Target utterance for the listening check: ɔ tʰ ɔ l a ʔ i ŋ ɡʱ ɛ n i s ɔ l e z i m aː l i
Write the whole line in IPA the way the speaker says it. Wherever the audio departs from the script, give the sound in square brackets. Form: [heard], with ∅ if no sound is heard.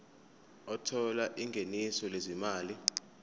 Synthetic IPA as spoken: ɔ tʰ ɔ l a ʔ i ŋ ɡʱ [e] n i s ɔ l e z i m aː l i